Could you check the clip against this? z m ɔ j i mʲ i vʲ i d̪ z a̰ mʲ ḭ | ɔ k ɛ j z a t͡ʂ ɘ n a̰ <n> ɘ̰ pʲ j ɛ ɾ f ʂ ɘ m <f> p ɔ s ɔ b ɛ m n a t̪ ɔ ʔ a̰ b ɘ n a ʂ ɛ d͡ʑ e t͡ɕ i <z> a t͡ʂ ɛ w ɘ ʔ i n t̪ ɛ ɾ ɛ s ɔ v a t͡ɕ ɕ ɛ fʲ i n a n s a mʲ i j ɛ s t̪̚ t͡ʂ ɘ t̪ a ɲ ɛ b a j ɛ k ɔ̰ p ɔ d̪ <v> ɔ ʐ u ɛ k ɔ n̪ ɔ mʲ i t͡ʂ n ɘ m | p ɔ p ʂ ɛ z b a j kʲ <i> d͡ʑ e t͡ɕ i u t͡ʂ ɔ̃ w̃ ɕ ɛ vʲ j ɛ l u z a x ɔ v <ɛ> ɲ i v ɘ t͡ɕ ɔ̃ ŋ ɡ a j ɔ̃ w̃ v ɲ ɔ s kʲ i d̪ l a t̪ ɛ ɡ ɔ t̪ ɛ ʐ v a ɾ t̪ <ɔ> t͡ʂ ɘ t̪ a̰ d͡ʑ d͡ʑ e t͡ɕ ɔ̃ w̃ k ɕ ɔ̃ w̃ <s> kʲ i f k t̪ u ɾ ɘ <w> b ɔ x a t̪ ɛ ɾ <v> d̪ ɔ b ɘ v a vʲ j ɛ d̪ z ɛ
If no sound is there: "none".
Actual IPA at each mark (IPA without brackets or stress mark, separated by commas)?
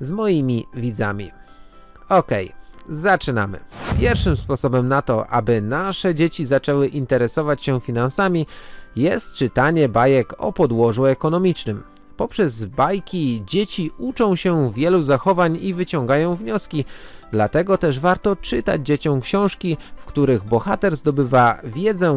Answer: m, s, z, w, i, a, ɔ, ʂ, ɣ, z